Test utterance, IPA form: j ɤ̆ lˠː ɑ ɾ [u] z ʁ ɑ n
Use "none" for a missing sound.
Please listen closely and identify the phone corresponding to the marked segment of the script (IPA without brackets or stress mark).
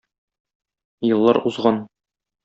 u